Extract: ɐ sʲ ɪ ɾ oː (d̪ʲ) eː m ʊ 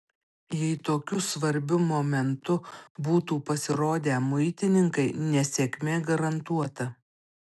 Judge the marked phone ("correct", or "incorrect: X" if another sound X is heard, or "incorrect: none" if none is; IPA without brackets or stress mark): correct